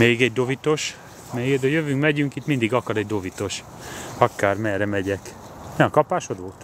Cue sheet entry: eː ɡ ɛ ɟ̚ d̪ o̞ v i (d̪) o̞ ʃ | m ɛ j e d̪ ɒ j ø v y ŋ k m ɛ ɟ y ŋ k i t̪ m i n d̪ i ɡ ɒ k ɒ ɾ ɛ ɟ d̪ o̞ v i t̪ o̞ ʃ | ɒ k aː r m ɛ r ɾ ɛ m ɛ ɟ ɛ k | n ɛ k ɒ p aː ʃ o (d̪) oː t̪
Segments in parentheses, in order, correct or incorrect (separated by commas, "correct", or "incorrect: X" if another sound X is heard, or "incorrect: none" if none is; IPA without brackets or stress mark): incorrect: t̪, correct